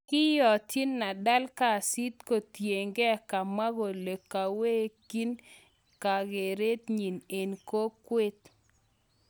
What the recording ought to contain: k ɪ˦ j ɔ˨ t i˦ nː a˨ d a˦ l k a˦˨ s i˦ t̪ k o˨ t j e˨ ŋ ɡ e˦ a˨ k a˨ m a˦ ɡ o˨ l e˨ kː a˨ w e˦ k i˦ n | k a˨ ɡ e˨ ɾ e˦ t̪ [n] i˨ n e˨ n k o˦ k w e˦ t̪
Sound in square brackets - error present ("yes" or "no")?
yes